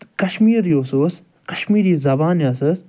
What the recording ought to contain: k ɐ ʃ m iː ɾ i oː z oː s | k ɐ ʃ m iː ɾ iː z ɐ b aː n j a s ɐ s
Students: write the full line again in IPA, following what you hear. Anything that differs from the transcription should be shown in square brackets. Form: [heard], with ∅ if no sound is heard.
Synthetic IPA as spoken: k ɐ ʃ m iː ɾ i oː [s] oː s | k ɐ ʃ m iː ɾ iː z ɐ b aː n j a s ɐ s